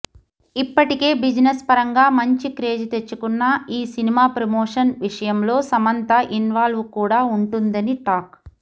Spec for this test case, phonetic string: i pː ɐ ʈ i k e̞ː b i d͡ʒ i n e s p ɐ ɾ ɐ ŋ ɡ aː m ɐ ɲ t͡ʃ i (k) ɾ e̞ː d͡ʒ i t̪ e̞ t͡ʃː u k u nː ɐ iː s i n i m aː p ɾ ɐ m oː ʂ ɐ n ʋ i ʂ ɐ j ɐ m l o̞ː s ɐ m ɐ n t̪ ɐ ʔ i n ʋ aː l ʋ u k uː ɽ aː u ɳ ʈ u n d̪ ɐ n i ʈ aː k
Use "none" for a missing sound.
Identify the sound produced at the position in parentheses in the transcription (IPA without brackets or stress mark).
k